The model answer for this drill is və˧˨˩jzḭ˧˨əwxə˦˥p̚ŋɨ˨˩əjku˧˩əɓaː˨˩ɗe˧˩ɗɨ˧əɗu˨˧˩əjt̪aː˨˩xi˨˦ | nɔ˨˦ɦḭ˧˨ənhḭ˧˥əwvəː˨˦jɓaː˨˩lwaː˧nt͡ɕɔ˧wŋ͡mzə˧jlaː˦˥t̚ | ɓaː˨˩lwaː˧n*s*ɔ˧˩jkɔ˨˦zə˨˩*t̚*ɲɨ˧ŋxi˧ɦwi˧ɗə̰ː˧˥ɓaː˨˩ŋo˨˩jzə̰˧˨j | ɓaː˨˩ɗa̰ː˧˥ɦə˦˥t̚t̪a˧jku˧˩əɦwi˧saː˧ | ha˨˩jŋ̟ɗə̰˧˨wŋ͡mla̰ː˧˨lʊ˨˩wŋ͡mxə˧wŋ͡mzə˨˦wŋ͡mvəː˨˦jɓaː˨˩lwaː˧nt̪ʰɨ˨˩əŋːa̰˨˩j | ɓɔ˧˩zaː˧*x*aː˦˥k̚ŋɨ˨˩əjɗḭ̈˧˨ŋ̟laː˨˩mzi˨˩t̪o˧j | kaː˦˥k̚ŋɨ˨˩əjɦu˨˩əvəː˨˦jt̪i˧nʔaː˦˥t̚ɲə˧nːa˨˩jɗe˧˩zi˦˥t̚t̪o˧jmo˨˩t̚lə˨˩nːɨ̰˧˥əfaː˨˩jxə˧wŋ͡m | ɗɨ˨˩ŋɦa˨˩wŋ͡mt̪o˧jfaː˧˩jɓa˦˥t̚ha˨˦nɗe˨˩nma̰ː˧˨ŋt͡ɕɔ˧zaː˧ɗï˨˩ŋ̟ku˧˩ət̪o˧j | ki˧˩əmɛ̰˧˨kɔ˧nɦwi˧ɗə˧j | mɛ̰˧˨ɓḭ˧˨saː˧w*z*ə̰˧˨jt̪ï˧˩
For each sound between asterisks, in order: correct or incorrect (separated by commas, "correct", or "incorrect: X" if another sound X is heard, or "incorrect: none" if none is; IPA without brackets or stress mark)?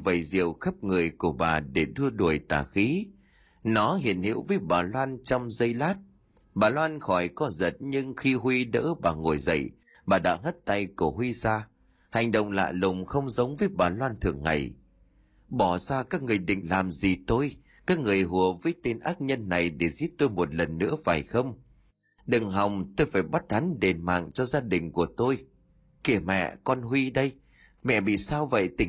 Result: incorrect: x, correct, incorrect: k, incorrect: v